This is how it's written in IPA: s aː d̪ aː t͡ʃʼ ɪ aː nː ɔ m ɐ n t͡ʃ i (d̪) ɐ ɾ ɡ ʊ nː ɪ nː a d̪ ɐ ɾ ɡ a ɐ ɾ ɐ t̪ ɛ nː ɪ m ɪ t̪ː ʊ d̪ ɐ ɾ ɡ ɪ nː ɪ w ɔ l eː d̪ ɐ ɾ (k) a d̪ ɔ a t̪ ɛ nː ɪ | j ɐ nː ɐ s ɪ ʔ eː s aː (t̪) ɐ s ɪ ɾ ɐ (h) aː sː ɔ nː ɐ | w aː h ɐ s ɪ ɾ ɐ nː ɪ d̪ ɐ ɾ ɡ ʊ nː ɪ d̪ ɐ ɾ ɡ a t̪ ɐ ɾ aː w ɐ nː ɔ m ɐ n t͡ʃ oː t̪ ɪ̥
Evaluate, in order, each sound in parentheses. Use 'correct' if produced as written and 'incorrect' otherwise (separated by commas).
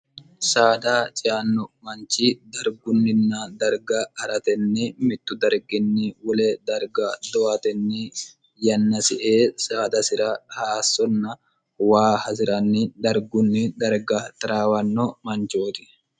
correct, incorrect, incorrect, correct